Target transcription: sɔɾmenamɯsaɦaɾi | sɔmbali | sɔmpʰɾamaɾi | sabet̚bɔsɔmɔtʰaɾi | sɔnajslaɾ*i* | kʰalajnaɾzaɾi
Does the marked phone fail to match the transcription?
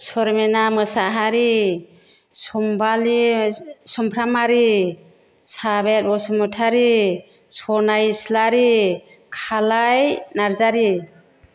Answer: no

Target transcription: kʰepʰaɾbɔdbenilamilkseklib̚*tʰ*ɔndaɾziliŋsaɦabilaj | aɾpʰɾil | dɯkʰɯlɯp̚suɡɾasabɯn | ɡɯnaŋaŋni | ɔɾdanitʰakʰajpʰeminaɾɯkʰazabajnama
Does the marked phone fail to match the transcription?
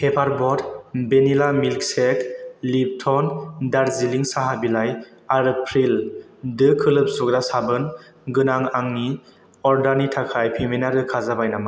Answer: no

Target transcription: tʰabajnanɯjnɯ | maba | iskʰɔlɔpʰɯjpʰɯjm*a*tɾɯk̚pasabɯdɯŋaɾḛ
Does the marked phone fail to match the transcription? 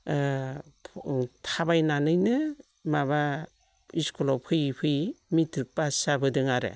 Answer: yes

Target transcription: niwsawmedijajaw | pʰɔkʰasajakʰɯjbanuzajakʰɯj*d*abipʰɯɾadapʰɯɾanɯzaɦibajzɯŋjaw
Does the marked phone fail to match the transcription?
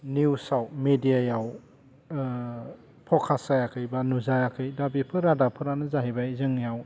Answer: no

